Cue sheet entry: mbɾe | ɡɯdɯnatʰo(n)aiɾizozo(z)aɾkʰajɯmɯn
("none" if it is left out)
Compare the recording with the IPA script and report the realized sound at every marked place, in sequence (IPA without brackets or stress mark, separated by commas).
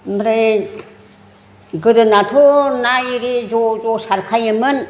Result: n, s